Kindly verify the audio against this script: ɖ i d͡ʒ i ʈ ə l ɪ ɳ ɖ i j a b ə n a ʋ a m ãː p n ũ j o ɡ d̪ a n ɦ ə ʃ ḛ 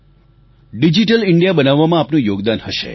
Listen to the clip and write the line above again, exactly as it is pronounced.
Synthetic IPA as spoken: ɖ i d͡ʒ i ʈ ə l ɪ ɳ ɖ i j a b ə n a ʋː a m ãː p n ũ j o ɡ d̪ a n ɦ ə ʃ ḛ